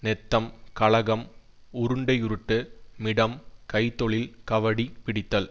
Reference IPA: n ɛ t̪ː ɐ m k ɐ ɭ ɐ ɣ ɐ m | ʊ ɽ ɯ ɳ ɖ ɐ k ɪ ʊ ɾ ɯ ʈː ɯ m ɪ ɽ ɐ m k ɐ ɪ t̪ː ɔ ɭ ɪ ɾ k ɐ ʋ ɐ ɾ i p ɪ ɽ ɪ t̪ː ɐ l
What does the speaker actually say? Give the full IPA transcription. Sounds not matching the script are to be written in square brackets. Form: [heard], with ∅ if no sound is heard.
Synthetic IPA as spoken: n ɛ t̪ː ɐ m k ɐ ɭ ɐ ɣ ɐ m | ʊ [ɾ] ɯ ɳ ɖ ɐ [∅] ɪ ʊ ɾ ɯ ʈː ɯ m ɪ ɽ ɐ m k ɐ ɪ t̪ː ɔ ɭ ɪ [l] k ɐ ʋ ɐ [ɽ] i p ɪ ɽ ɪ t̪ː ɐ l

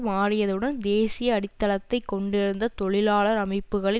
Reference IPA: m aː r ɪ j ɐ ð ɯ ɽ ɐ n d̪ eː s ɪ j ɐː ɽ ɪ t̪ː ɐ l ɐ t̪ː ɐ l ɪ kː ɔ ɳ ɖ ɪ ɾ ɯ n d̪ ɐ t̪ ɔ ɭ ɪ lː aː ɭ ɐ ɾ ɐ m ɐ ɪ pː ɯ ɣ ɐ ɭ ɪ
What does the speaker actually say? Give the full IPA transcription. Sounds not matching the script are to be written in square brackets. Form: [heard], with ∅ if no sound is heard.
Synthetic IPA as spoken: m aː r ɪ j ɐ ð ɯ ɽ ɐ n d̪ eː s ɪ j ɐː ɽ ɪ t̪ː ɐ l ɐ t̪ː ɐ [∅] ɪ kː ɔ ɳ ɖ ɪ ɾ ɯ n d̪ ɐ t̪ ɔ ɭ ɪ [l] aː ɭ ɐ ɾ ɐ m ɐ ɪ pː ɯ ɣ ɐ ɭ ɪ

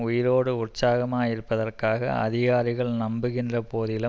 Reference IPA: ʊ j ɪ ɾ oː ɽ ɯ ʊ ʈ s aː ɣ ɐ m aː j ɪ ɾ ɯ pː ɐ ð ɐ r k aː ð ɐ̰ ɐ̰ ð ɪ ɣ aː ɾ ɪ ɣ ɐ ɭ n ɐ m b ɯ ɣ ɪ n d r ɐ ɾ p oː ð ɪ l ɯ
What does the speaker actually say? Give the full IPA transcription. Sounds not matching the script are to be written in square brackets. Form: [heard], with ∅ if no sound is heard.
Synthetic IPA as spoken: ʊ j ɪ ɾ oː ɽ ɯ ʊ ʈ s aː ɣ ɐ m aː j ɪ ɾ ɯ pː ɐ ð ɐ r k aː [ɣ] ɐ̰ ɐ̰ ð ɪ ɣ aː ɾ ɪ ɣ ɐ ɭ n ɐ m b ɯ ɣ ɪ n d r ɐ [∅] p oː ð ɪ l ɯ

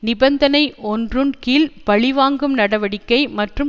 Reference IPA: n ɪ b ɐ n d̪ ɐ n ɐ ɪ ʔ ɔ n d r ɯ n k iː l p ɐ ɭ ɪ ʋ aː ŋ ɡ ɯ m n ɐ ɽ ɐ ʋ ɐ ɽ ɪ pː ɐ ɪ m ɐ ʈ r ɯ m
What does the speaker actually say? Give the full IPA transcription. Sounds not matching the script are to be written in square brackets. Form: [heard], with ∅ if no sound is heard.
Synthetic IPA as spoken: n ɪ b ɐ n d̪ ɐ n ɐ ɪ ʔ ɔ n d r ɯ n k iː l p ɐ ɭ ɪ ʋ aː ŋ ɡ ɯ m n ɐ ɽ ɐ ʋ ɐ ɽ ɪ [kː] ɐ ɪ m ɐ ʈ r ɯ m

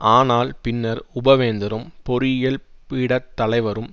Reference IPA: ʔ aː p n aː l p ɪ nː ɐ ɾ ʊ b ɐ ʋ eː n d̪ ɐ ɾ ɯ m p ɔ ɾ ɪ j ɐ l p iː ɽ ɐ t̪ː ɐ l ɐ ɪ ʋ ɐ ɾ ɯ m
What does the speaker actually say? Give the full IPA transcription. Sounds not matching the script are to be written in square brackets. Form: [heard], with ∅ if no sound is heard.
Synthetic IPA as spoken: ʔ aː [∅] n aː l p ɪ nː ɐ ɾ ʊ b ɐ ʋ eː n d̪ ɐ ɾ ɯ m p ɔ ɾ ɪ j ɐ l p iː ɽ ɐ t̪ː ɐ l ɐ ɪ ʋ ɐ ɾ ɯ m

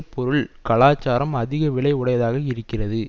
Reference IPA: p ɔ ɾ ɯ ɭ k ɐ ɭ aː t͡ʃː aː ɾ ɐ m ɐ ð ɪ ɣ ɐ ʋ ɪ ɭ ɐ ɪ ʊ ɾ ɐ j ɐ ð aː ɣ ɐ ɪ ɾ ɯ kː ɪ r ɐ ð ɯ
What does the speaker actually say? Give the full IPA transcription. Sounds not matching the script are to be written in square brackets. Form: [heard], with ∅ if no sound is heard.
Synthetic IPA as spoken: p ɔ ɾ ɯ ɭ k ɐ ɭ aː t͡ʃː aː ɾ ɐ m ɐ ð ɪ ɣ ɐ ʋ ɪ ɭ ɐ ɪ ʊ [ɽ] ɐ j ɐ ð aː ɣ ɐ ɪ ɾ ɯ kː ɪ r ɐ ð ɯ

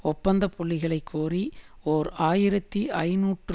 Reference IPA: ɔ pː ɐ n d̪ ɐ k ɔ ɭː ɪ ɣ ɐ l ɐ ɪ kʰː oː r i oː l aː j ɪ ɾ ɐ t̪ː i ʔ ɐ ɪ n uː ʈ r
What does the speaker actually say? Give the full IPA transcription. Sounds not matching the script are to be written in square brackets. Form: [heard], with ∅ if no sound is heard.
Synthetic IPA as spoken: ɔ pː ɐ n d̪ ɐ [p] ɔ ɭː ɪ ɣ ɐ [ɭ] ɐ ɪ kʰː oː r i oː [ɾ] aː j ɪ ɾ ɐ t̪ː i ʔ ɐ ɪ n uː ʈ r

